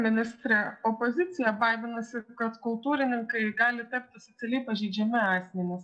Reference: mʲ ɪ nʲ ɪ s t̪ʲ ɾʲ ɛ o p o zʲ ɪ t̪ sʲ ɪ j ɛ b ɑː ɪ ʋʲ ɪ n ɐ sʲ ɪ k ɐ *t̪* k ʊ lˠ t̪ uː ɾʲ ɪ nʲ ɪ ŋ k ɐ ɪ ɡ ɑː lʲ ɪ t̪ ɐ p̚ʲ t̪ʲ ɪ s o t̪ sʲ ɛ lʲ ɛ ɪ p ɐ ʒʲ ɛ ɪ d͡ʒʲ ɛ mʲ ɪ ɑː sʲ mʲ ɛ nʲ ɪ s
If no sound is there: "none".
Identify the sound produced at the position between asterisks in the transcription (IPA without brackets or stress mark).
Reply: t̪